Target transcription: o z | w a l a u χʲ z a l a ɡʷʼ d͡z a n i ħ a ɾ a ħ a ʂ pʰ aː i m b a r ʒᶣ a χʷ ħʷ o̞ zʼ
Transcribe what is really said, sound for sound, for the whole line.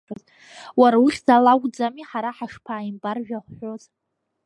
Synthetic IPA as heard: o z | w a ɾ a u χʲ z a l a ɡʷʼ d͡z a m i ħ a ɾ a ħ a ʂ pʰ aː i m b a r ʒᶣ a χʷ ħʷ o̞ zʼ